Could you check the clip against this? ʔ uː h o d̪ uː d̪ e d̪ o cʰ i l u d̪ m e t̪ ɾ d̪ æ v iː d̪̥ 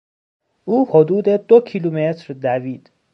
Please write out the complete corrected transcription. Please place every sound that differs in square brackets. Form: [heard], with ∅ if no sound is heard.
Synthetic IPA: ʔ uː h o d̪ uː d̪ e d̪ o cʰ i l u [∅] m e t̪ ɾ d̪ æ v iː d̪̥